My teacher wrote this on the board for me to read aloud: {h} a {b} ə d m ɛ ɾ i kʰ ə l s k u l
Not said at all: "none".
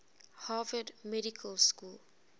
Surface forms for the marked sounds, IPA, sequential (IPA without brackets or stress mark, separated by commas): h, v